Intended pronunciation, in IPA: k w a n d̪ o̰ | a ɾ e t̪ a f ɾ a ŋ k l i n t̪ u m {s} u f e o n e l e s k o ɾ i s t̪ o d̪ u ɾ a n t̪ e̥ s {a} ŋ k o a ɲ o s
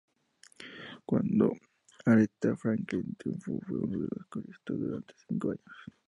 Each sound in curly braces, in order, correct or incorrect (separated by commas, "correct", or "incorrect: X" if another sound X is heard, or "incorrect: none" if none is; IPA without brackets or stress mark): incorrect: f, incorrect: i